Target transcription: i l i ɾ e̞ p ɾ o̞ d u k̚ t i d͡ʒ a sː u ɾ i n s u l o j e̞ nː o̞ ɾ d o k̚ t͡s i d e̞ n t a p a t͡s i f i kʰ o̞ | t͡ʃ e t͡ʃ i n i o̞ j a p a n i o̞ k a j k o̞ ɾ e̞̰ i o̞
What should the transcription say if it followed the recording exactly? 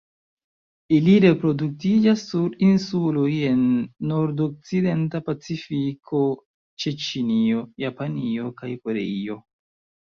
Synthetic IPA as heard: i l i ɾ e̞ p ɾ o̞ d u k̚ t i d͡ʒ a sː u ɾ i n s u l o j e̞ nː o̞ ɾ d o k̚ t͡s i d e̞ n t a p a t͡s i f i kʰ o̞ | t͡ʃ e t͡ʃ i n i o̞ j a p a n i o̞ k a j k o̞ ɾ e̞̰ i o̞

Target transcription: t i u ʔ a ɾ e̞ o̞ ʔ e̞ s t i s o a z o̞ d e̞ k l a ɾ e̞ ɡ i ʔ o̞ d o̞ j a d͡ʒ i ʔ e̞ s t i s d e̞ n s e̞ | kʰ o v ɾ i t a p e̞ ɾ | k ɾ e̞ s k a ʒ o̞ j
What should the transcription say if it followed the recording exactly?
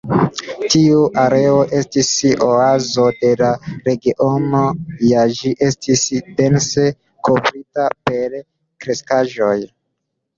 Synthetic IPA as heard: t i u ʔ a ɾ e̞ o̞ ʔ e̞ s t i s o a z o̞ d e̞ l a ɾ e̞ ɡ i ʔ o̞ n o̞ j a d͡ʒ i ʔ e̞ s t i s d e̞ n s e̞ | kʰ o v ɾ i t a p e̞ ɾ | k ɾ e̞ s k a ʒ o̞ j

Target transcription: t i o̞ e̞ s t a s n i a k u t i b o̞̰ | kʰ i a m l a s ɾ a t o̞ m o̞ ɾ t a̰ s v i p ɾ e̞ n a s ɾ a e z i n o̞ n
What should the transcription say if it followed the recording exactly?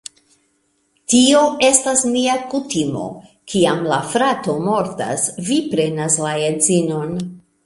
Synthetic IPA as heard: t i o̞ e̞ s t a s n i a k u t i m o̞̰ | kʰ i a m l a f ɾ a t o̞ m o̞ ɾ t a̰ s v i p ɾ e̞ n a s l a e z i n o̞ n

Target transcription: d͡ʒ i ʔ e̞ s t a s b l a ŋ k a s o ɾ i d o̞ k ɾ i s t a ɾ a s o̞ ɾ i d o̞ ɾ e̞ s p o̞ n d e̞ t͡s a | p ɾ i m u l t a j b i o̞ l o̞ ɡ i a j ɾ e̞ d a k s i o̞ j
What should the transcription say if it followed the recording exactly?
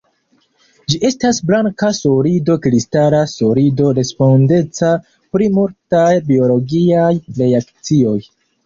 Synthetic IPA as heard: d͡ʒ i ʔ e̞ s t a s b l a ŋ k a s o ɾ i d o̞ k ɾ i s t a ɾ a s o̞ ɾ i d o̞ ɾ e̞ s p o̞ n d e̞ t͡s a | p ɾ i m u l t a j b i o̞ l o̞ ɡ i a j ɾ e̞ a k t͡s i o̞ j

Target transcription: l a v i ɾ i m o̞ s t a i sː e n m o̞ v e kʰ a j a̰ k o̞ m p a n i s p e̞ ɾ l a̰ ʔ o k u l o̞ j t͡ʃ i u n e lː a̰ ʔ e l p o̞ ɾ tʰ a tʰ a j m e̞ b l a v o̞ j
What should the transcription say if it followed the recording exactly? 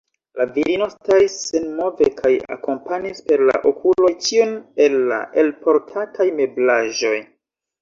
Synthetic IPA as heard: l a v i ɾ i n o̞ s t a i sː e n m o̞ v e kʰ a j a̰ k o̞ m p a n i s p e̞ ɾ l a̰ ʔ o k u l o̞ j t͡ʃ i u n e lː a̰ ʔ e l p o̞ ɾ tʰ a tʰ a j m e̞ b l a ʒ o̞ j

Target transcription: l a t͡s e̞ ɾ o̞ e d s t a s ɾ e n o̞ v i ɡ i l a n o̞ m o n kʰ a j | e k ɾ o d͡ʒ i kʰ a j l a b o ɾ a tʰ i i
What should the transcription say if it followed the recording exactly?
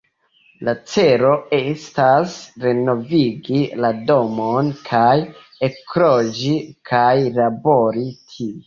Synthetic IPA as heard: l a t͡s e̞ ɾ o̞ e s t a s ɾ e n o̞ v i ɡ i l a d o̞ m o n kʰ a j | e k ɾ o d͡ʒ i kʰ a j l a b o ɾ i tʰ i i

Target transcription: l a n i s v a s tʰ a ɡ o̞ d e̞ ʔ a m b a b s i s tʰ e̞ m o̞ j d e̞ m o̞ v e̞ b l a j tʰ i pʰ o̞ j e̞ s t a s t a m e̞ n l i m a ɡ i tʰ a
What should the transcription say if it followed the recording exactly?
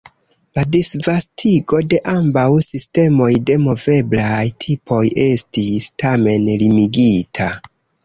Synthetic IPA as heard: l a d i s v a s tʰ i ɡ o̞ d e̞ ʔ a m b a w s i s t e̞ m o̞ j d e̞ m o̞ v e̞ b l a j tʰ i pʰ o̞ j e̞ s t i s t a m e̞ n l i m i ɡ i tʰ a

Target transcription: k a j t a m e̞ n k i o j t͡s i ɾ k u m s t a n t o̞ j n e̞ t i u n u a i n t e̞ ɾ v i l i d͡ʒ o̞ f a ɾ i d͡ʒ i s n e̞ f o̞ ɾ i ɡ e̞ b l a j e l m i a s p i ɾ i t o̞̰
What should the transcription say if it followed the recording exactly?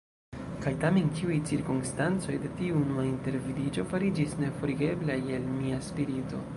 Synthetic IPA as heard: k a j t a m e̞ n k i u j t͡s i ɾ k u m s t a n t͡s o̞ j d e̞ t i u n u a i n t e̞ ɾ v i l i d͡ʒ o̞ f a ɾ i d͡ʒ i s n e̞ f o̞ ɾ i ɡ e̞ b l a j e l m i a s p i ɾ i t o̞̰

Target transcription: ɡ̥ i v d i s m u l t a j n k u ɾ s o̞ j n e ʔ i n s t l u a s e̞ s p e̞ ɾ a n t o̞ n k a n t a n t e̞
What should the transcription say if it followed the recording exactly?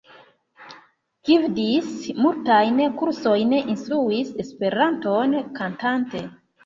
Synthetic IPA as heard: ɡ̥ i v d i s m u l t a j n k u ɾ s o̞ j n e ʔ i n s t ɾ u i s e̞ s p e̞ ɾ a n t o̞ n k a n t a n t e̞

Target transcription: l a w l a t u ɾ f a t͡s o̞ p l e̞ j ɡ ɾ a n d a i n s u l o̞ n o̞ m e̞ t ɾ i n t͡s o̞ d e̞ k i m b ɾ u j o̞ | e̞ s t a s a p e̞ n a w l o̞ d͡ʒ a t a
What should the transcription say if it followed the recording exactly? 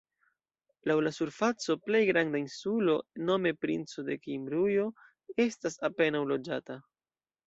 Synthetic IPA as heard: l a w l a s u ɾ f a t͡s o̞ p l e̞ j ɡ ɾ a n d a i n s u l o̞ n o̞ m e̞ p ɾ i n t͡s o̞ d e̞ k i m b ɾ u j o̞ | e̞ s t a s a p e̞ n a w l o̞ d͡ʒ a t a

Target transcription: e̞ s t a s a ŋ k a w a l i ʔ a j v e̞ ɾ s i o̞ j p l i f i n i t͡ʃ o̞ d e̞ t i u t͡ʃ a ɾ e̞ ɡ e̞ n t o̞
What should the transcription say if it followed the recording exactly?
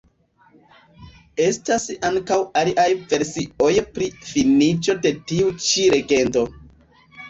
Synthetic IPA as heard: e̞ s t a s a ŋ k a w a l i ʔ a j v e̞ ɾ s i o̞ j p ɾ i f i n i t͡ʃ o̞ d e̞ t i u t͡ʃ i ɾ e̞ ɡ e̞ n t o̞

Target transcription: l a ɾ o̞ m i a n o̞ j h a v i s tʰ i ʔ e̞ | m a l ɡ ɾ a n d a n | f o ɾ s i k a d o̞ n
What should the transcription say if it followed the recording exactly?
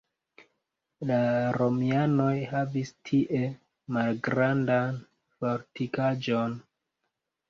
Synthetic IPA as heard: l a ɾ o̞ m i a n o̞ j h a v i s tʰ i ʔ e̞ | m a l ɡ ɾ a n d a n | f o ɾ t i k a d͡ʒ o̞ n

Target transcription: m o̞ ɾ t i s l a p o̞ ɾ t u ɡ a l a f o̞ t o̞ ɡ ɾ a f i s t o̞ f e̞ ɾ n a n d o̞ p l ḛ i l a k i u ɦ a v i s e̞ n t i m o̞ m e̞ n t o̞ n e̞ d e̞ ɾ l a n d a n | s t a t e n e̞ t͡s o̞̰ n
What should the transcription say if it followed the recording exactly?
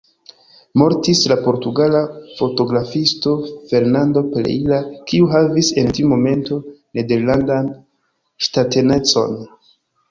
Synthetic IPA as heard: m o̞ ɾ t i s l a p o̞ ɾ t u ɡ a l a f o̞ t o̞ ɡ ɾ a f i s t o̞ f e̞ ɾ n a n d o̞ p l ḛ i l a k i u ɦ a v i s e̞ n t i m o̞ m e̞ n t o̞ n e̞ d e̞ ɾ l a n d a n | ʃ t a t e n e̞ t͡s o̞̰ n

